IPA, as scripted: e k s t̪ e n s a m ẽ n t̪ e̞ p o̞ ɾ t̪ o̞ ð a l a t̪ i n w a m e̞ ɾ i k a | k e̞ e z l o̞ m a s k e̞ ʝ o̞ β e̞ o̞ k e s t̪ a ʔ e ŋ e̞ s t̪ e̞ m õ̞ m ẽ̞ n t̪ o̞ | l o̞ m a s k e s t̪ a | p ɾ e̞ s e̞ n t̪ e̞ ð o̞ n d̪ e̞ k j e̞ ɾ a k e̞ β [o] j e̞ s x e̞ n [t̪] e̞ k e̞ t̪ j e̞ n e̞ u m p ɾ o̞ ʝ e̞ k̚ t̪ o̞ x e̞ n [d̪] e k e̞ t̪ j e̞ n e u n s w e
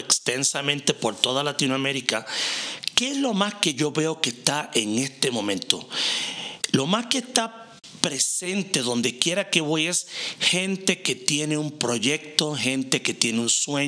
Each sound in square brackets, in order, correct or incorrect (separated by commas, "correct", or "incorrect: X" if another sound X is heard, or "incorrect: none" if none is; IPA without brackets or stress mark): correct, correct, incorrect: t̪